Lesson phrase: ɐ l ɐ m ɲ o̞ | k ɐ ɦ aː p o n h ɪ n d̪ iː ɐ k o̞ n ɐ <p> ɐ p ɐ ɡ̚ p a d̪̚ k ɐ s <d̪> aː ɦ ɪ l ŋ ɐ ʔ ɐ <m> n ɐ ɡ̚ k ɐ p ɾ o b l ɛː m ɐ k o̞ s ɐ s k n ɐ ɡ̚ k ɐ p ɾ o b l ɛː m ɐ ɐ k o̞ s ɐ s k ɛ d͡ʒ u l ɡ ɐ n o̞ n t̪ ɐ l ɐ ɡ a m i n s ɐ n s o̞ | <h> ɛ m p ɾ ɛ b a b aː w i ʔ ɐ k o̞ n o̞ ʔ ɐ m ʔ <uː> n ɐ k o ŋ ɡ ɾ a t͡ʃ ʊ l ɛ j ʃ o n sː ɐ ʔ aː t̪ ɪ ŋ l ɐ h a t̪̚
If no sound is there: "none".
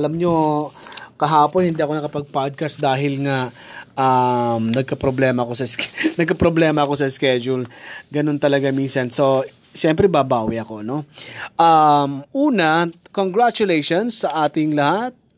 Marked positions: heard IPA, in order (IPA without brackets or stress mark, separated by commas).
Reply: k, d̪, m, ʃ, uː